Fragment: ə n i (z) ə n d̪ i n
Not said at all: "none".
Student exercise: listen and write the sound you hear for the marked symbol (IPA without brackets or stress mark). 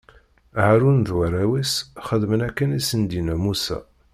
s